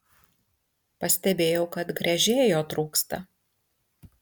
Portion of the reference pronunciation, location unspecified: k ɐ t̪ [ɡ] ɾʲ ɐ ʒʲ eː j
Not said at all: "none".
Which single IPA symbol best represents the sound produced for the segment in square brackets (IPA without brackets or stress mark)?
ɡ